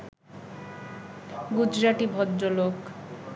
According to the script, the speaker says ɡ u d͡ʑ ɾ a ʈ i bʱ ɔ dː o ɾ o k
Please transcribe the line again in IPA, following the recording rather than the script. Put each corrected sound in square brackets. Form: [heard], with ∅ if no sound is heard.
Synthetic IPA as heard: ɡ u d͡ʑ ɾ a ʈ i bʱ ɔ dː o [l] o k